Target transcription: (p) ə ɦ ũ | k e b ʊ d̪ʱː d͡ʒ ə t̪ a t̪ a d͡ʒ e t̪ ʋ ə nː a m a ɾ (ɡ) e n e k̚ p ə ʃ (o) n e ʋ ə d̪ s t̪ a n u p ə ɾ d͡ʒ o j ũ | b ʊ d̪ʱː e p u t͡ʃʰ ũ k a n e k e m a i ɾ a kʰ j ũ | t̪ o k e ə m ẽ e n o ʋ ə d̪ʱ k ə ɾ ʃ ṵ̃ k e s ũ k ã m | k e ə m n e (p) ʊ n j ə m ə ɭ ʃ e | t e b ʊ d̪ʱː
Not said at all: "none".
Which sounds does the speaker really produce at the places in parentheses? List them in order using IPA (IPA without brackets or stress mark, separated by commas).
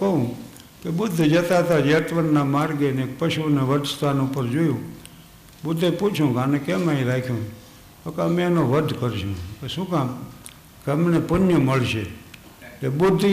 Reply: k, ɡ, u, p